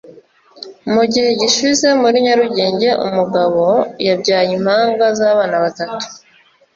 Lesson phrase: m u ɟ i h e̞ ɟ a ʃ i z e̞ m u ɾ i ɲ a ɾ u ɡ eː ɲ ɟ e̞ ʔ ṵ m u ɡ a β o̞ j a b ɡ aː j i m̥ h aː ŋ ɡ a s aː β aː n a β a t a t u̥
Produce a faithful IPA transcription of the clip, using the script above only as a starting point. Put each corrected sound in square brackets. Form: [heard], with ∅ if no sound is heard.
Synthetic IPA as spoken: m u ɟ i h e̞ ɟ [i] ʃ i z e̞ m u ɾ i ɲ a ɾ u [ɟ] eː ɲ ɟ e̞ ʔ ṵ m u ɡ a β o̞ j a b [ɟ] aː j i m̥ h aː ŋ ɡ a [z] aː β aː n a β a t a t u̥